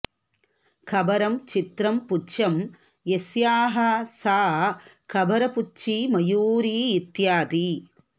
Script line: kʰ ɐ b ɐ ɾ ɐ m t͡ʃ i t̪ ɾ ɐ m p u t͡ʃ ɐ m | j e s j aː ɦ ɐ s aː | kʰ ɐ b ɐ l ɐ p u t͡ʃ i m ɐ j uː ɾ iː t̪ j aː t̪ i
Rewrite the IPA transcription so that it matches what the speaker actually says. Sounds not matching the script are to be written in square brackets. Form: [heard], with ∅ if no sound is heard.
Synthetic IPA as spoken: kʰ ɐ b ɐ ɾ ɐ m t͡ʃ i t̪ ɾ ɐ m p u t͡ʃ ɐ m | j e s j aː ɦ ɐ s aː | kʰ ɐ b ɐ [ɾ] ɐ p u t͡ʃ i m ɐ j uː ɾ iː t̪ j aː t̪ i